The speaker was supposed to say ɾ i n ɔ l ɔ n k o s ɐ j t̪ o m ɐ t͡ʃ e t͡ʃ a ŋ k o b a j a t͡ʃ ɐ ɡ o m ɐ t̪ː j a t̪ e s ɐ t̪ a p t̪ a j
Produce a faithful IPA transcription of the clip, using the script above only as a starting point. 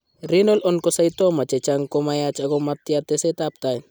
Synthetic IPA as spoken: ɾ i n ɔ l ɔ n k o s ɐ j t̪ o m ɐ t͡ʃ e t͡ʃ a ŋ k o m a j a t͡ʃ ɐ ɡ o m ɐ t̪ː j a t̪ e s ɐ t̪ a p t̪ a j